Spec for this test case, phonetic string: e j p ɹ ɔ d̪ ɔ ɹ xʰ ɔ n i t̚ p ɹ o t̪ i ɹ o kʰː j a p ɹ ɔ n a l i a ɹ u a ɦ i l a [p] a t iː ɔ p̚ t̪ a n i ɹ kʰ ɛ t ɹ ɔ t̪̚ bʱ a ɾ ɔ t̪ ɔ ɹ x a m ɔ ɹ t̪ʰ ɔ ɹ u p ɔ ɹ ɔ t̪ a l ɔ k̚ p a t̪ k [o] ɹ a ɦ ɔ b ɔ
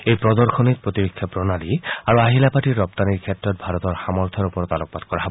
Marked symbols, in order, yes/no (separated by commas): yes, no